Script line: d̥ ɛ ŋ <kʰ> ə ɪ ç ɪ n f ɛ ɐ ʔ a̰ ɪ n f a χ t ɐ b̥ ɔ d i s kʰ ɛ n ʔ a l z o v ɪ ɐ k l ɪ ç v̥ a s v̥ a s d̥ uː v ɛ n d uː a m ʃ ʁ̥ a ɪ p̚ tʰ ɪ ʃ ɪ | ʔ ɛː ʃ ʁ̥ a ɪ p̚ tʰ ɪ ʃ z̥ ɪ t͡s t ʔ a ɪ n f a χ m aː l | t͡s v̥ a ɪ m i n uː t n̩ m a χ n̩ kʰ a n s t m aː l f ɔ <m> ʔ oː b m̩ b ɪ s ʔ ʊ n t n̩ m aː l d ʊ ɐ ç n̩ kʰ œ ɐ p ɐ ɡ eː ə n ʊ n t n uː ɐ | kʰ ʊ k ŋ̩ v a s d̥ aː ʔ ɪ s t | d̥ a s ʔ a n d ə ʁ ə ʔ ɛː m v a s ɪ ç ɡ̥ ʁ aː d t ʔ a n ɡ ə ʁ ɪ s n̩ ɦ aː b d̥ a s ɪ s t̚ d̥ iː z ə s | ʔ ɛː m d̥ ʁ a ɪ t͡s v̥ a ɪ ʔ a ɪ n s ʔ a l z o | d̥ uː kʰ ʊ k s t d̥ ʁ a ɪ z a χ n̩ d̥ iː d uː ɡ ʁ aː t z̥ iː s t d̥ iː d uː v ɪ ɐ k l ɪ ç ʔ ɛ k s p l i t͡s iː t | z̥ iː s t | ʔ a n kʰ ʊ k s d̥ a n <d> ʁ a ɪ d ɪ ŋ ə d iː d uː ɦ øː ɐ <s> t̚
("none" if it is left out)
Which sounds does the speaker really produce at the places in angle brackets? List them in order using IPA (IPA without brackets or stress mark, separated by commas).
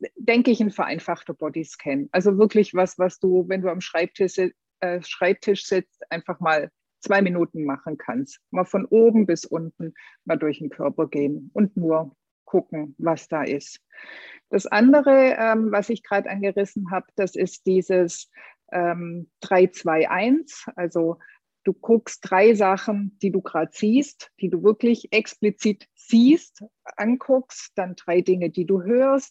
k, n, d, s